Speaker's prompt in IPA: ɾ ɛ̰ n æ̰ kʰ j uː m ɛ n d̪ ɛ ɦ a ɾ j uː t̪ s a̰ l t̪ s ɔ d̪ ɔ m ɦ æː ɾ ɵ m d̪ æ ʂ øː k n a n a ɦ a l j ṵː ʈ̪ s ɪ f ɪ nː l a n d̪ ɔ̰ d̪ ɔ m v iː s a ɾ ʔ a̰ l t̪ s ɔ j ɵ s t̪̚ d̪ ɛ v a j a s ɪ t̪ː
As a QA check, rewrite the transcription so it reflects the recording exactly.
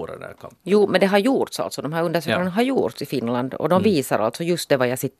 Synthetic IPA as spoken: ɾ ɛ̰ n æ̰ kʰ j uː m ɛ n d̪ ɛ ɦ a ɾ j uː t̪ s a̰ l t̪ s ɔ d̪ ɔ m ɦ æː ɾ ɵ n d̪ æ ʂ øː k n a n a ɦ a ɾ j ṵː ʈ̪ s ɪ f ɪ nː l a n d̪ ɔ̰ d̪ ɔ m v iː s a ɾ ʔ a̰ l t̪ s ɔ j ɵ s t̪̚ d̪ ɛ v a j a s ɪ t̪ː